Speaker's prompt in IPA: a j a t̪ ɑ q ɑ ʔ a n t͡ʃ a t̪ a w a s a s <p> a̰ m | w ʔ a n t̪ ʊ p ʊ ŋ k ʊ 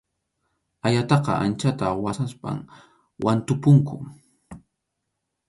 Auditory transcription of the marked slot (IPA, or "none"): p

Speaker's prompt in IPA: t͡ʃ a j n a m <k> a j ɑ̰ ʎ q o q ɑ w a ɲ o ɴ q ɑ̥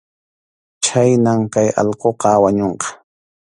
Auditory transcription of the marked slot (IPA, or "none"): k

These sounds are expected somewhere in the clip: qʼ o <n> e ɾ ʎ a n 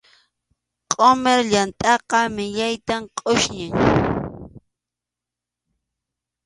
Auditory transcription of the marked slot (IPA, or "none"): m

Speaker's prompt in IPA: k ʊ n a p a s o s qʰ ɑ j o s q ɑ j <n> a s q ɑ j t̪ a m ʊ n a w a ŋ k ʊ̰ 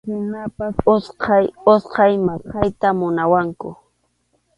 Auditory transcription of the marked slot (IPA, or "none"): m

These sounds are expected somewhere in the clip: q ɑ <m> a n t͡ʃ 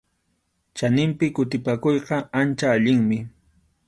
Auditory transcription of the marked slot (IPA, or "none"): none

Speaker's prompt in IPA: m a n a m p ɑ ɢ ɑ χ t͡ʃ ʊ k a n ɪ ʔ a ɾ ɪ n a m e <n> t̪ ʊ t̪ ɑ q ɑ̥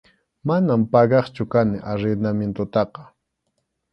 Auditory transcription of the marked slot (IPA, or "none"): n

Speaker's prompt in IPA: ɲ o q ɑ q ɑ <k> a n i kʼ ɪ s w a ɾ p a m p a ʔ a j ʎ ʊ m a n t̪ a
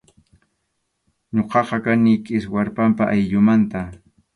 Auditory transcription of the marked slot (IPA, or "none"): k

